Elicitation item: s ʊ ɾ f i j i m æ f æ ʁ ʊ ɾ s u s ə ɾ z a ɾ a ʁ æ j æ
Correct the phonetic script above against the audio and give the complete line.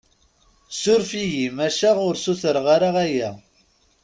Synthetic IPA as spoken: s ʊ ɾ f i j i m æ ʃ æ ʁ ʊ ɾ s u θ ə ɾ ʁ a ɾ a ʁ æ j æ